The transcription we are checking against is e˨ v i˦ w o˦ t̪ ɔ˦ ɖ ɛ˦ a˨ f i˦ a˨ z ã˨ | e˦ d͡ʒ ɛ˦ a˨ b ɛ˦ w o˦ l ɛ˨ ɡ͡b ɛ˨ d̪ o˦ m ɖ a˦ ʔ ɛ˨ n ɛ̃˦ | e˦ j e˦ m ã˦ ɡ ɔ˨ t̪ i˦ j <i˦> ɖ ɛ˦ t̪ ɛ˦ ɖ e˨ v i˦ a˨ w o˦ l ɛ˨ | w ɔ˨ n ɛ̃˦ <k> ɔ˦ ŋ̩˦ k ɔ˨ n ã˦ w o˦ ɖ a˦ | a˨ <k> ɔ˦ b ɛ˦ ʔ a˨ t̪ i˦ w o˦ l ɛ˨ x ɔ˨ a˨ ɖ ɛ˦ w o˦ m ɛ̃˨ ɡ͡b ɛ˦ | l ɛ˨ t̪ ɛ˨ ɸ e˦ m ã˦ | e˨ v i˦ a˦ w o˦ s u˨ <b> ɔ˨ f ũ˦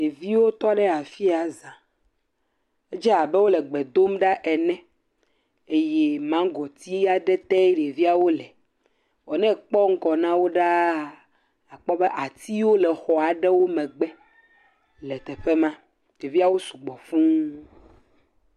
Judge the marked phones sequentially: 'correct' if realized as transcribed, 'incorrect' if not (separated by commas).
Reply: incorrect, incorrect, incorrect, incorrect